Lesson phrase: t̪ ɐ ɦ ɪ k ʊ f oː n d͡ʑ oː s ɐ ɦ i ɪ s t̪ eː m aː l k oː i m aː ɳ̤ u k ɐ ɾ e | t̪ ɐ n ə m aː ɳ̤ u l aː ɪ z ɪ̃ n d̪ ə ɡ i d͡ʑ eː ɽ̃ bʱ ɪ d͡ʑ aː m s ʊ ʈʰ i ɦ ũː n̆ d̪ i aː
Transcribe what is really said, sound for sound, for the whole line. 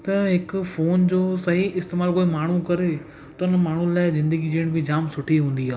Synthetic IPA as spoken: t̪ ɐ ɦ ɪ k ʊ f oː n d͡ʑ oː s ɐ ɦ i ɪ s t̪ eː m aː l k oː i m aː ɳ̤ u k ɐ ɾ e | t̪ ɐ n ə m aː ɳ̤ u l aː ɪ z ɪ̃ n d̪ ə ɡ i d͡ʑ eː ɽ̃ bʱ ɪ d͡ʑ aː m s ʊ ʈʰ i ɦ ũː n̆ d̪ i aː

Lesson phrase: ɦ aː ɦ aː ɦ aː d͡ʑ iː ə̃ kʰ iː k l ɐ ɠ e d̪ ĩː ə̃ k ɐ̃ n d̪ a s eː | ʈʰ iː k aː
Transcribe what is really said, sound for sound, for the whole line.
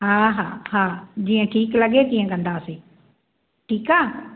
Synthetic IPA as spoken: ɦ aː ɦ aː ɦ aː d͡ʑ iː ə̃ ʈʰ iː k l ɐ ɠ e t̪ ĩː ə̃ k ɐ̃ n d̪ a s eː | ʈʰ iː k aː

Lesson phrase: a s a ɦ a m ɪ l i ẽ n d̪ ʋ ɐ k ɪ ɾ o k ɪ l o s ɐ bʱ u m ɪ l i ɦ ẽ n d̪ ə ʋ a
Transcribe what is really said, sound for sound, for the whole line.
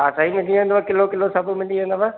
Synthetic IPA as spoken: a s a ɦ i m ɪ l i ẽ n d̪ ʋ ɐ k ɪ l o k ɪ l o s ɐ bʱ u m ɪ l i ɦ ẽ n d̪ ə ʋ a

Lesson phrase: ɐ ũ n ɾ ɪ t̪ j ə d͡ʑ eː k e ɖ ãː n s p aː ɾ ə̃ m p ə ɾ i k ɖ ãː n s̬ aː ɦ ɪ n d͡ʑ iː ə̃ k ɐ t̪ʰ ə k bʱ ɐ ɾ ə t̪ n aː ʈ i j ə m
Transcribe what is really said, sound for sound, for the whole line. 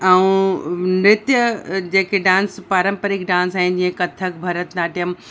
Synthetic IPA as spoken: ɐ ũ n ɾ ɪ t̪ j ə d͡ʑ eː k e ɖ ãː n s p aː ɾ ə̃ m p ə ɾ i k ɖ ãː n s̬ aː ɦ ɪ n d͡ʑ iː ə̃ k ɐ t̪ʰ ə k bʱ ɐ ɾ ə t̪ n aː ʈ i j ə m

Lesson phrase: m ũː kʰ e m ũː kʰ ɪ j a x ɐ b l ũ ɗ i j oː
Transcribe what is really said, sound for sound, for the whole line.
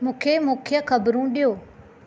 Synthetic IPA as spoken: m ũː kʰ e m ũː kʰ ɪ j ə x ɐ b ɾ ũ ɗ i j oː

